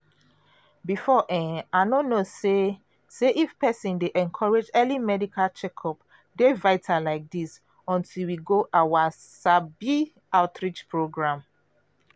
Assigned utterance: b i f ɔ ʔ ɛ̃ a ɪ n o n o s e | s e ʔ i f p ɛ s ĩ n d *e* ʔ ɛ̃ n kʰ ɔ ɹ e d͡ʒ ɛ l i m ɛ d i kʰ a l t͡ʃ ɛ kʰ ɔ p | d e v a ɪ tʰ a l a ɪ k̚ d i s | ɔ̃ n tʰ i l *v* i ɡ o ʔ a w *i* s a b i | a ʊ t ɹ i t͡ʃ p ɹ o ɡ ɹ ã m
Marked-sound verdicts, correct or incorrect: correct, incorrect, incorrect

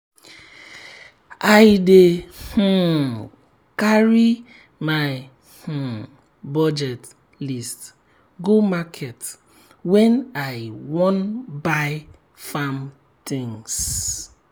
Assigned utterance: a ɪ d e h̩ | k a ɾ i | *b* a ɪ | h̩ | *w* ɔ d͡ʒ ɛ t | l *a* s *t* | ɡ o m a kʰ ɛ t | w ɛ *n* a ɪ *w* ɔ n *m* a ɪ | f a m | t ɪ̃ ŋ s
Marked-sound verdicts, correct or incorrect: incorrect, incorrect, incorrect, correct, correct, correct, incorrect

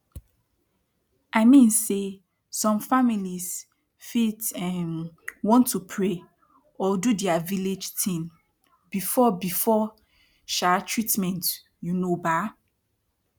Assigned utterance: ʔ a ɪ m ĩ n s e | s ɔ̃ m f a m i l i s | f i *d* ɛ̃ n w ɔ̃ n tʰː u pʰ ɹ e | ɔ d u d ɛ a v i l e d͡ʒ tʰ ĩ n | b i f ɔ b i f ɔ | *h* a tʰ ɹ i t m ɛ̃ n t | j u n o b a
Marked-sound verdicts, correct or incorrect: incorrect, incorrect

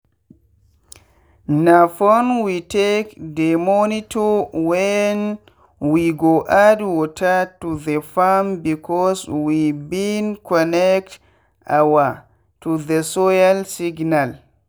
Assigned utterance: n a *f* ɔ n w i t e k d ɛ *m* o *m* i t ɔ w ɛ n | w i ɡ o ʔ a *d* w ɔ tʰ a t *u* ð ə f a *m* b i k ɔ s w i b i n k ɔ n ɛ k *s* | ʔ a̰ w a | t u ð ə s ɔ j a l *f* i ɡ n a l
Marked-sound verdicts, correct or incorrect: correct, correct, incorrect, correct, correct, correct, incorrect, incorrect

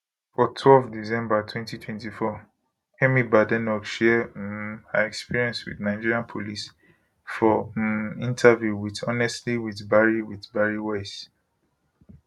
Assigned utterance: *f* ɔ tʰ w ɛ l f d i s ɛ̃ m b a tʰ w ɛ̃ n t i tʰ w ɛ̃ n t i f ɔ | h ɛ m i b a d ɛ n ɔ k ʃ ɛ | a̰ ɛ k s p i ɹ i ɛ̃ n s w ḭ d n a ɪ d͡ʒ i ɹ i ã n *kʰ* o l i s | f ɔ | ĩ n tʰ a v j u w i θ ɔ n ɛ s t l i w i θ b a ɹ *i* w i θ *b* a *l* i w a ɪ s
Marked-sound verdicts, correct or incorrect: correct, incorrect, correct, correct, incorrect

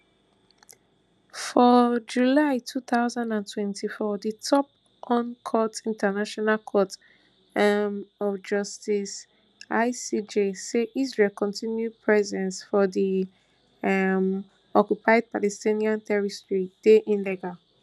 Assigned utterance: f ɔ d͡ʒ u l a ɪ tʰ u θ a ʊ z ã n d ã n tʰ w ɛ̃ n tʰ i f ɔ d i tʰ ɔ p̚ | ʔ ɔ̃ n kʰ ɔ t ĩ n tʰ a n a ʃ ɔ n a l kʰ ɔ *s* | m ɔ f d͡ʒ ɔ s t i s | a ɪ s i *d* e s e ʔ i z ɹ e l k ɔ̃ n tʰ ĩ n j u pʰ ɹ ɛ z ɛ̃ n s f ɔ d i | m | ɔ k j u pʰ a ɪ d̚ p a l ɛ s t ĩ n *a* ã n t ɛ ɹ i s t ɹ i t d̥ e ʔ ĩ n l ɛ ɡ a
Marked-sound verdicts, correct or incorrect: incorrect, incorrect, incorrect

